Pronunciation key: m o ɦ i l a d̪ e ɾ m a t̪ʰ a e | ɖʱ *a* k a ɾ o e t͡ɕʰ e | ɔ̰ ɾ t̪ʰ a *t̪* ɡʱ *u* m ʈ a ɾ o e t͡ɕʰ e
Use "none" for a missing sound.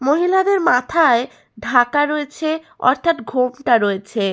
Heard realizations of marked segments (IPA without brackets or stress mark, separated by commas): a, t̪, o